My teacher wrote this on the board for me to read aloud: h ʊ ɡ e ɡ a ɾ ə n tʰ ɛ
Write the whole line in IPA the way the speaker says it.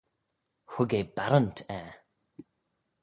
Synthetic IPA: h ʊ ɡ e b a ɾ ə n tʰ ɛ

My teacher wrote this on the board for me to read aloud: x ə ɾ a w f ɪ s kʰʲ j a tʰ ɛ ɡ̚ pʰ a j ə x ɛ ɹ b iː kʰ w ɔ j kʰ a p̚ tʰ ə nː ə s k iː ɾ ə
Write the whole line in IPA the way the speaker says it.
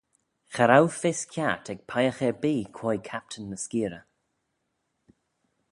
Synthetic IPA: x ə ɾ a w f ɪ s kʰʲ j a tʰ ɛ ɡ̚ pʰ a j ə x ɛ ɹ b iː kʰ w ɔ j kʰ a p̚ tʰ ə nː ə s k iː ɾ ə

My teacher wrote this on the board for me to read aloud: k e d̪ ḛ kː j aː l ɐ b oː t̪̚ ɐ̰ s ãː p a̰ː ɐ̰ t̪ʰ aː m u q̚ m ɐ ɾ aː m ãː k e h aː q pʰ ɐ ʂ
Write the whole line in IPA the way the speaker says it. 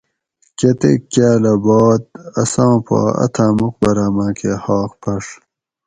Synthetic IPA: k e t̪ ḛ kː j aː l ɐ b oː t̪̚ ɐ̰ s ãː p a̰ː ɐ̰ t̪ʰ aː m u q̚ b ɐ ɾ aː m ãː k e h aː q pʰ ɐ ʂ

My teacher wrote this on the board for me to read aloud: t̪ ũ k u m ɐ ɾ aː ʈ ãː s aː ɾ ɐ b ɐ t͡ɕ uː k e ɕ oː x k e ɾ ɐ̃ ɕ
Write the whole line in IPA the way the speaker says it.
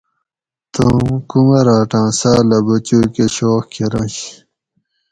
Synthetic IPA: t̪ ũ k u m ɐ ɾ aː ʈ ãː s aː l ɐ b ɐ t͡ɕ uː k e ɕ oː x k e ɾ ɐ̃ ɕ

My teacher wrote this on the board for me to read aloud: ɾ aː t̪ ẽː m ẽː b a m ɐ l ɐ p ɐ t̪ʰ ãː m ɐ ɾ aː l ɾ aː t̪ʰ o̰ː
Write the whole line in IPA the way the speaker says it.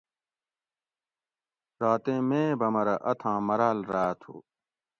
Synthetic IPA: ɾ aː t̪ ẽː m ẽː b ɐ m ɐ ɾ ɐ ʔ ɐ t̪ʰ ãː m ɐ ɾ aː l ɾ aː t̪ʰ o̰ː

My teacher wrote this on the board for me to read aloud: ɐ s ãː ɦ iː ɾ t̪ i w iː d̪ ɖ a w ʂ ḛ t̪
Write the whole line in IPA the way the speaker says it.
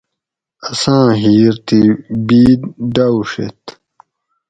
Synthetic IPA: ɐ s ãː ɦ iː ɾ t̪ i b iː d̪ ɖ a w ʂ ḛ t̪

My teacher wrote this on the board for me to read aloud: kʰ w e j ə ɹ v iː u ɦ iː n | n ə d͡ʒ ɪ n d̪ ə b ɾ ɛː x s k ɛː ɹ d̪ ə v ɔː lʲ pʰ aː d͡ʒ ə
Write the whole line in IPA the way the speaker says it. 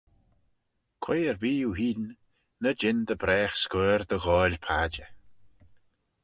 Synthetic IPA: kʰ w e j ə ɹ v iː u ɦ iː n | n ə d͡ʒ ɪ n d̪ ə b ɾ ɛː x s k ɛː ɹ d̪ ə ɣ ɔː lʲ pʰ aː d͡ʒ ə

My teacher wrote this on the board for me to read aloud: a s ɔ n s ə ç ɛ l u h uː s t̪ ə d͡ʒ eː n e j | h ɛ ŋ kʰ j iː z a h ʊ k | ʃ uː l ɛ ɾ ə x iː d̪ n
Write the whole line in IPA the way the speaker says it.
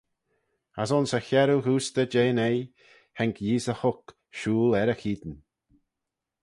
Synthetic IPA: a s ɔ n s ə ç ɛ ɾ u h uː s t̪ ə d͡ʒ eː n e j | h ɛ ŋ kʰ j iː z ə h ʊ k | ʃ uː l ɛ ɾ ə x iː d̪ n

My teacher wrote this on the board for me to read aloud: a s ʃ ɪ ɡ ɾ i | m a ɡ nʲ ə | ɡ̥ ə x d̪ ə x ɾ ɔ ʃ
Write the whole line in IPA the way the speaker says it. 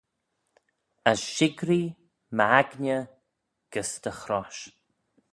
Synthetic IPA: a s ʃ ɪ ɡ ɾ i | m a ɡ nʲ ə | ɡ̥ ə s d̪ ə x ɾ ɔ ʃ

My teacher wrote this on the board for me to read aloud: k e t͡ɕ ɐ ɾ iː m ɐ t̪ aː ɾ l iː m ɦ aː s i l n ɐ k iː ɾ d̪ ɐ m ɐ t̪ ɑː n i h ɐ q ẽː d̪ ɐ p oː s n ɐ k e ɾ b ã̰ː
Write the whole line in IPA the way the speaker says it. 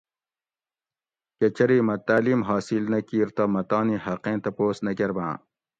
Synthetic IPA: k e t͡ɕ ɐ ɾ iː m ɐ t̪ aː l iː m ɦ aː s i l n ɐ k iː ɾ t̪ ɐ m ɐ t̪ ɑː n i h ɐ q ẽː t̪ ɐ p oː s n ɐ k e ɾ b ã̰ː

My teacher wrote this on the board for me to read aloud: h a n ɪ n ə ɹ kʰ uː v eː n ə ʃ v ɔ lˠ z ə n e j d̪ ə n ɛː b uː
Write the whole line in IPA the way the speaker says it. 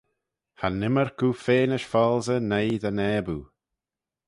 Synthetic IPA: h a n ɪ m ə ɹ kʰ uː f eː n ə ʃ f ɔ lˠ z ə n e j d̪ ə n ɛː b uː

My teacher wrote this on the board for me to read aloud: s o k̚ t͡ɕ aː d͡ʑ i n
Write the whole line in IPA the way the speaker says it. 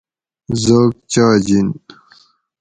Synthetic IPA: z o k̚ t͡ɕ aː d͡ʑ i n

